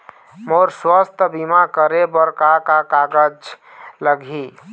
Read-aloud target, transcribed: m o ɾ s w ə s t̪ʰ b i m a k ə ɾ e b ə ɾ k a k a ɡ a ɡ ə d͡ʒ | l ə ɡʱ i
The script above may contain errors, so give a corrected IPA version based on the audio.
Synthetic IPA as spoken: m o ɾ s w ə s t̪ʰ b i m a k ə ɾ e b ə ɾ k a k a k a ɡ ə d͡ʒ | l ə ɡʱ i